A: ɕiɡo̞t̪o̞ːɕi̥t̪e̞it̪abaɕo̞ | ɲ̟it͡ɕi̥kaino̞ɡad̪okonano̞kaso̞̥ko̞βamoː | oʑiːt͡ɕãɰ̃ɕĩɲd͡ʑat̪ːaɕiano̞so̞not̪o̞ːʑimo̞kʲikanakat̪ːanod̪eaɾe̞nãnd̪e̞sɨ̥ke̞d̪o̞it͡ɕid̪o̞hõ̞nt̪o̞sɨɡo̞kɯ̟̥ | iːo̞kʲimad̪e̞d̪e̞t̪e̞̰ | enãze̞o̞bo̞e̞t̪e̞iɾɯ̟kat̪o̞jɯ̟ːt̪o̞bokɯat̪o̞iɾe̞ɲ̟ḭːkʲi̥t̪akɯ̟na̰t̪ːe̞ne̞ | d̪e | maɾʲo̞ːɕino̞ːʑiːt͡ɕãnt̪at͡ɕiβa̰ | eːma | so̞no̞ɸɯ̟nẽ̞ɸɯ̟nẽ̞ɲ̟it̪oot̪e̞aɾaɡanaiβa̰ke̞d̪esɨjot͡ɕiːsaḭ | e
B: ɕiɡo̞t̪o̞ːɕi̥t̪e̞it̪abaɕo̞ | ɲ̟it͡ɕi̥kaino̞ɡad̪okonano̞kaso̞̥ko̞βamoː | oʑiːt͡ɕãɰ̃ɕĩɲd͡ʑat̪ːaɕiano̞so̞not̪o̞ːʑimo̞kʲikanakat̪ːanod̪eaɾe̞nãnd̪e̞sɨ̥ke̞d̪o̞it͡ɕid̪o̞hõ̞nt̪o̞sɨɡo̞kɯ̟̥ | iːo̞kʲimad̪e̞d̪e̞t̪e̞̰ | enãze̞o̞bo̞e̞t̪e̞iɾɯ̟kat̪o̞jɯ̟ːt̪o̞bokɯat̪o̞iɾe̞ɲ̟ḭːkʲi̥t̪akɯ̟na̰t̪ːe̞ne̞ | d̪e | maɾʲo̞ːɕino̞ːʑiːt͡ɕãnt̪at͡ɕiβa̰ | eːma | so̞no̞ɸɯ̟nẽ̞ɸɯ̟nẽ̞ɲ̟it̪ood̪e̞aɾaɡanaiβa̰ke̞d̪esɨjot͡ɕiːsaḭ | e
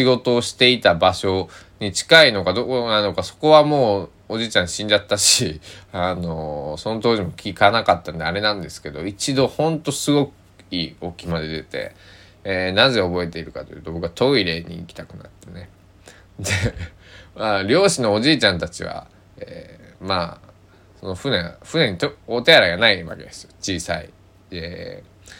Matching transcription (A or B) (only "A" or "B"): A